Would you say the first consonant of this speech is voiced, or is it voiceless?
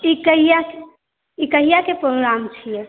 voiceless